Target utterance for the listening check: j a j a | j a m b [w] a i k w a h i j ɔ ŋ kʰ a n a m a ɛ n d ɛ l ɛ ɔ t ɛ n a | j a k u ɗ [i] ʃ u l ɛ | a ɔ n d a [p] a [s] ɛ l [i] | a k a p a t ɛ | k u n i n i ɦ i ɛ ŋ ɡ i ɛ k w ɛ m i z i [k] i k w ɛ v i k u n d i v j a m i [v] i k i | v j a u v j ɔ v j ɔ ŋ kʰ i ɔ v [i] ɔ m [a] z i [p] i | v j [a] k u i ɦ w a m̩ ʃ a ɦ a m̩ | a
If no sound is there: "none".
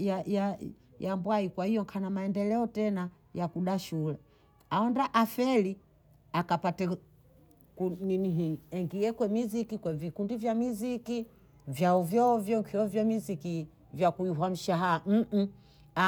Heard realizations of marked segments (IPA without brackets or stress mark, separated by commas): w, a, ʔ, f, i, k, z, j, i, k, a